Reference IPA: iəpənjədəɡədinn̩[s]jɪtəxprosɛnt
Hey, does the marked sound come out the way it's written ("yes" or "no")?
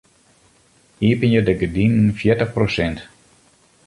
no